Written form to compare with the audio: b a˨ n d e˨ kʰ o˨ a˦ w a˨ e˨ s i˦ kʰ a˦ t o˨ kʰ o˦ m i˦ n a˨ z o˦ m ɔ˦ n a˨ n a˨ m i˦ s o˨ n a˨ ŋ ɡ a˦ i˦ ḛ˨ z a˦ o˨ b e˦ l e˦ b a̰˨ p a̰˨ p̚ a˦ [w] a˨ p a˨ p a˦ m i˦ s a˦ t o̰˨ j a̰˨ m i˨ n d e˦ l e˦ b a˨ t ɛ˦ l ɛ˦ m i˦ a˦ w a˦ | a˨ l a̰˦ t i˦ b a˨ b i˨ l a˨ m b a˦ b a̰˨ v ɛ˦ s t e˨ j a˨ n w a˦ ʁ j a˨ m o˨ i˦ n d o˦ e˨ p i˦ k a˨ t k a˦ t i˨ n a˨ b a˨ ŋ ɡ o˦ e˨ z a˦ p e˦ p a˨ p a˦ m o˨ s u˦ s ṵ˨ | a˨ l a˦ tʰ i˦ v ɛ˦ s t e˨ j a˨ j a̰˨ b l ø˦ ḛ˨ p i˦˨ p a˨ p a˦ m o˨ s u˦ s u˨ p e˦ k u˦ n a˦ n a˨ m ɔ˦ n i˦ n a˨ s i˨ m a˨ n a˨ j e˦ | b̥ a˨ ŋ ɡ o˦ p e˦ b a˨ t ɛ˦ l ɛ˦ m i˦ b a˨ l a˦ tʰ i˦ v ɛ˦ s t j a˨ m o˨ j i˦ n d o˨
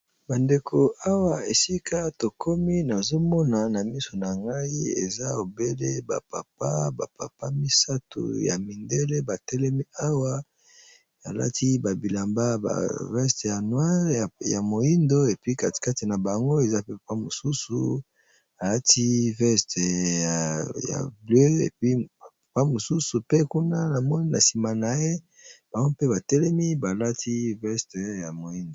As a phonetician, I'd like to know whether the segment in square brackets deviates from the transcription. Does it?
yes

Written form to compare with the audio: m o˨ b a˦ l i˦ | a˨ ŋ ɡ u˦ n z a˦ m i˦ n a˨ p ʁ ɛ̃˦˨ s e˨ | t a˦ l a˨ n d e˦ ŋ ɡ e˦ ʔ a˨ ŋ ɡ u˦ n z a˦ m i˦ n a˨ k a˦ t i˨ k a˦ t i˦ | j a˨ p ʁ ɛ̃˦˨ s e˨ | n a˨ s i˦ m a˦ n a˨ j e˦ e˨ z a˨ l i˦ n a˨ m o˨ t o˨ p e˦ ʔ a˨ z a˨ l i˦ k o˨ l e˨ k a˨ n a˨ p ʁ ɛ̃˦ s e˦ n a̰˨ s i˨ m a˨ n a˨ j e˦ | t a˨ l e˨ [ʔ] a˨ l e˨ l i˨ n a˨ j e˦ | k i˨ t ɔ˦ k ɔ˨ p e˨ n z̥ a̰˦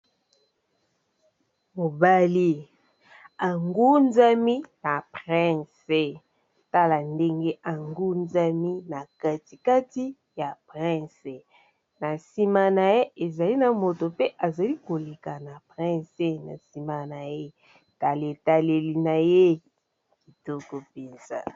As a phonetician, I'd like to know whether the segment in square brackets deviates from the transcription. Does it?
yes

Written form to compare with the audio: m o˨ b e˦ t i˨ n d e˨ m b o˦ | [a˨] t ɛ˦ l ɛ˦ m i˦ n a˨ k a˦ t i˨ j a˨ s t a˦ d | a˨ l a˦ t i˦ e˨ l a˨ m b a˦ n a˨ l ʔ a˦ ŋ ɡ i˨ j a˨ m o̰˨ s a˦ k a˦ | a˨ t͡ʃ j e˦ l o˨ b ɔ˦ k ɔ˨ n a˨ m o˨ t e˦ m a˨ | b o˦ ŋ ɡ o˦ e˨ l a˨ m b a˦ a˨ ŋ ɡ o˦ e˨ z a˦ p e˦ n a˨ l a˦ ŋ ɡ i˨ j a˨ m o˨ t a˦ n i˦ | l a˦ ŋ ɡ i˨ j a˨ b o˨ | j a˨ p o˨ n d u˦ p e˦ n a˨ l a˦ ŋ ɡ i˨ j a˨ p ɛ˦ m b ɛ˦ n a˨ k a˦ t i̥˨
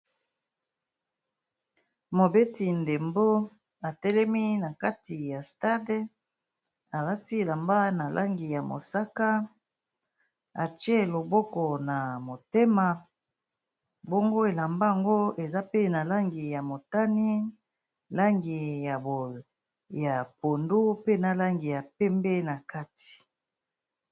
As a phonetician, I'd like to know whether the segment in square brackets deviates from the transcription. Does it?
no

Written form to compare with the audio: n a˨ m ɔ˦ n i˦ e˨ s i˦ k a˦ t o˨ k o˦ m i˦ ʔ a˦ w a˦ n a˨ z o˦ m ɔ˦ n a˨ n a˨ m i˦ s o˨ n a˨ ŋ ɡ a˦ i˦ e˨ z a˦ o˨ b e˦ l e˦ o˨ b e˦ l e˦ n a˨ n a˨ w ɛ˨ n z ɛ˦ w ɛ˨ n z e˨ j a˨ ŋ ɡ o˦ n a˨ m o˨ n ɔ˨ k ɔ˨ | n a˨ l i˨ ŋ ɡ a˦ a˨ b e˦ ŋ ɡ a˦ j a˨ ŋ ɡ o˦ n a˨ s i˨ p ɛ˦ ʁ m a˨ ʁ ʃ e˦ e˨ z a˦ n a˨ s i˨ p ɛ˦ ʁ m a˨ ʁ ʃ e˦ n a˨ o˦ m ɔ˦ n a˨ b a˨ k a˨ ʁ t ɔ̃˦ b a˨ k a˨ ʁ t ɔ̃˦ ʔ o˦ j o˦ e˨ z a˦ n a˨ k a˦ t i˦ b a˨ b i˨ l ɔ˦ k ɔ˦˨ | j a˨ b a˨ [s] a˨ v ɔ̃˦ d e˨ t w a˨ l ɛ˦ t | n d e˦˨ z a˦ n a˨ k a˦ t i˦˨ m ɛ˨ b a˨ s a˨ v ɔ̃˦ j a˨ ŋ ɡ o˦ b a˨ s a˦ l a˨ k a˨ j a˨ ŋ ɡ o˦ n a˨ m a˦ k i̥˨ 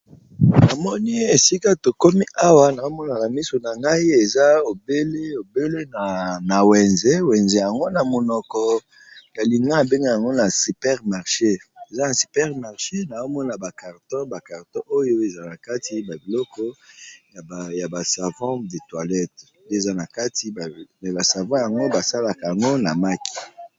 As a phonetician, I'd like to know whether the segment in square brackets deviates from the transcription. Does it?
no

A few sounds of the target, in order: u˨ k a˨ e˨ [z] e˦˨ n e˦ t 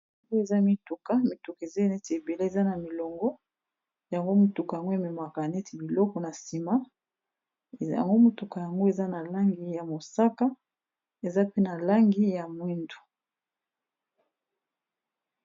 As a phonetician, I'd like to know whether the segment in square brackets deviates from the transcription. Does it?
no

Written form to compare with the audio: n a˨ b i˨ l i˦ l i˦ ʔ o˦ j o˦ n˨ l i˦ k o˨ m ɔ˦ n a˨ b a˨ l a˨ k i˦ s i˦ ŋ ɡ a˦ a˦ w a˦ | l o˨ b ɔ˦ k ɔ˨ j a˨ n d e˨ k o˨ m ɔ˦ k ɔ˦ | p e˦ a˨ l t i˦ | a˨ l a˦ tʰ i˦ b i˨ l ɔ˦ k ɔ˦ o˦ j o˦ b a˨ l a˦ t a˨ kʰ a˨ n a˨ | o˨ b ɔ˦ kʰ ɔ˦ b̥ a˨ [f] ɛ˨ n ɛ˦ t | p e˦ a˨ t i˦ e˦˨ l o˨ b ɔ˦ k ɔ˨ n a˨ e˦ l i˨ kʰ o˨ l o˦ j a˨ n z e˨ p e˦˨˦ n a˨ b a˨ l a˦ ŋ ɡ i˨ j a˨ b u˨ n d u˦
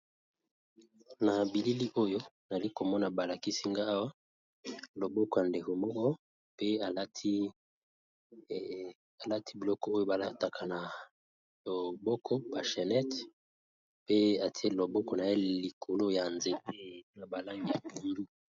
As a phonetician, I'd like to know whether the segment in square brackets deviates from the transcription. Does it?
yes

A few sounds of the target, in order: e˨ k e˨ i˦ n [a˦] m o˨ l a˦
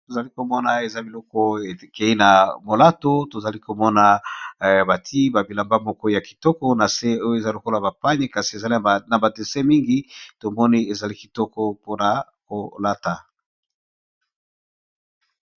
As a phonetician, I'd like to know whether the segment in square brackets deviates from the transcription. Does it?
yes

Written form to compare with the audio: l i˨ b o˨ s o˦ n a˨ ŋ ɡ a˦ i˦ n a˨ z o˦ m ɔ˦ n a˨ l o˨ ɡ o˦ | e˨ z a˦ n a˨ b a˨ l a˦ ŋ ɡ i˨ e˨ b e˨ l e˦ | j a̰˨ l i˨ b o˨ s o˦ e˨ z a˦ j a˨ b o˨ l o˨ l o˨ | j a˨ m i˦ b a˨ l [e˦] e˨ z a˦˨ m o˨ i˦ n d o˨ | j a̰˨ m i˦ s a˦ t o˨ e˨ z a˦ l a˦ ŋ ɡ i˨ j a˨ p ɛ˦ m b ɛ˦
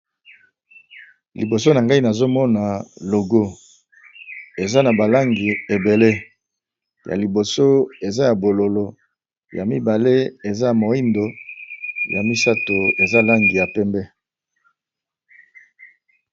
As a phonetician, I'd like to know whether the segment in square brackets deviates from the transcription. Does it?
no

